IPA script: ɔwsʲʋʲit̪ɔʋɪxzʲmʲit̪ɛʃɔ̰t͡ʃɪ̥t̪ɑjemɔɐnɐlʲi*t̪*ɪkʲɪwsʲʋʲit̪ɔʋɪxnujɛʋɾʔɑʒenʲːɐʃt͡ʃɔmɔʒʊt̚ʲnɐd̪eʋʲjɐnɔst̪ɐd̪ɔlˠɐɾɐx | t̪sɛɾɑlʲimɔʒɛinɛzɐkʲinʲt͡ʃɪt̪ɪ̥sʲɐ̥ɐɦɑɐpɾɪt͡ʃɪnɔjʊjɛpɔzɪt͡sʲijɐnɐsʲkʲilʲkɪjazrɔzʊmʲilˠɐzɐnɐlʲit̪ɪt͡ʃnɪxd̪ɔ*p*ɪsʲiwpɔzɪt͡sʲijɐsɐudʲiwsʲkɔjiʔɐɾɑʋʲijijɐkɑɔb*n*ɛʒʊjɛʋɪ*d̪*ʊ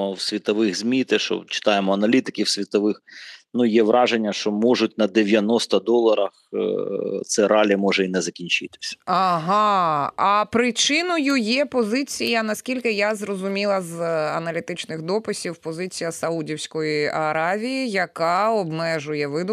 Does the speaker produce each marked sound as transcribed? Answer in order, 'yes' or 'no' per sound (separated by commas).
yes, yes, no, yes